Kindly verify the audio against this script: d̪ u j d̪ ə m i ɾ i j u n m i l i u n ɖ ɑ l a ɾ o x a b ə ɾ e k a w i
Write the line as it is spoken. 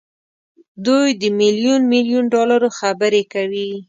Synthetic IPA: d̪ u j d̪ ə m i l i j u n m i l j u n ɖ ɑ l a ɾ o x a b ə ɾ e k a w i